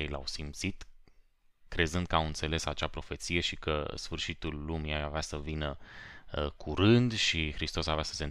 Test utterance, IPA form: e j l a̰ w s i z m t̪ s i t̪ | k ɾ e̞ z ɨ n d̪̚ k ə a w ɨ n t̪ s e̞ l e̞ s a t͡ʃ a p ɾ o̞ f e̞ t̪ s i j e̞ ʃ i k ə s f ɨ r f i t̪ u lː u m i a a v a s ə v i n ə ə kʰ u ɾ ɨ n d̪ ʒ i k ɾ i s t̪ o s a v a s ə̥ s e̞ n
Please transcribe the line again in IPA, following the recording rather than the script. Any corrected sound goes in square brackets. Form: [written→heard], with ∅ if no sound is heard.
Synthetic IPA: e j l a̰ w s i [z→∅] m t̪ s i t̪ | k ɾ e̞ z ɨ n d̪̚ k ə a w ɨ n t̪ s e̞ l e̞ s a t͡ʃ a p ɾ o̞ f e̞ t̪ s i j e̞ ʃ i k ə s f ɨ r [f→ʃ] i t̪ u lː u m i a a v a s ə v i n ə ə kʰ u ɾ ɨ n d̪ [ʒ→ʃ] i [k→x] ɾ i s t̪ o s a v a s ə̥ s e̞ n